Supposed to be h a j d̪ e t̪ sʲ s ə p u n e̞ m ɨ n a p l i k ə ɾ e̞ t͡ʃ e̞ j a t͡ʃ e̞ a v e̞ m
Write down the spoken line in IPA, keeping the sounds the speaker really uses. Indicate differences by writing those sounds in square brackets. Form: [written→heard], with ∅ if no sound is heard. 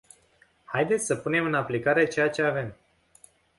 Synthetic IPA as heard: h a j d̪ e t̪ sʲ s ə p u n e̞ m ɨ n a p l i k [ə→a] ɾ e̞ t͡ʃ e̞ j a t͡ʃ e̞ a v e̞ m